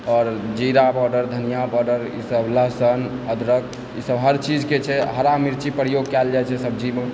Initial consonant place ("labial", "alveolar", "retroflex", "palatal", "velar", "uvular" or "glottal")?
alveolar